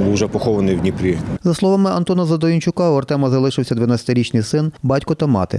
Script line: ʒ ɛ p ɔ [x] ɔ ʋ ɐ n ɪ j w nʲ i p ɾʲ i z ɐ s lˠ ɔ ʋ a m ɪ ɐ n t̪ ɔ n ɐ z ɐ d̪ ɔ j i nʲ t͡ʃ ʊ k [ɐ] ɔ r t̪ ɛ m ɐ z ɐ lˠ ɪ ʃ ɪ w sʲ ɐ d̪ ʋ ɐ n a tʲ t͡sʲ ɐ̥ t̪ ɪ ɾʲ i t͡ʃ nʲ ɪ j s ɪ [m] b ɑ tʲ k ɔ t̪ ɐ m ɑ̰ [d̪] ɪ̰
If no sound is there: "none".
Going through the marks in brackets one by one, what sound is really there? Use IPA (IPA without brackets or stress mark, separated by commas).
x, ɑ, n, t̪